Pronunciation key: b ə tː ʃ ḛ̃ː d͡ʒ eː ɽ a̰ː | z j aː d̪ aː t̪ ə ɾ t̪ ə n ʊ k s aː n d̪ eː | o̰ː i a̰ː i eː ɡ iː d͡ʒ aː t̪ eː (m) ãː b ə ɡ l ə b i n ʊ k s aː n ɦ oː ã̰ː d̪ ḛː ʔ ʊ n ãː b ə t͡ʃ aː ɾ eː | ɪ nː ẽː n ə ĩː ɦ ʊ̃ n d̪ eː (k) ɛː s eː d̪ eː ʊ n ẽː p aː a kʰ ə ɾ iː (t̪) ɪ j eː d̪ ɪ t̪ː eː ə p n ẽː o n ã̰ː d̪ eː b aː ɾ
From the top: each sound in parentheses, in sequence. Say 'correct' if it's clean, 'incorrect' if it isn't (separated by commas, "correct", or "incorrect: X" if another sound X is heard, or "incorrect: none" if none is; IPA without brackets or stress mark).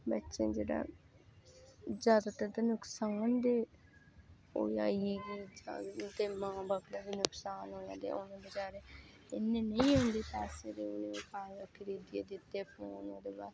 correct, incorrect: p, incorrect: d̪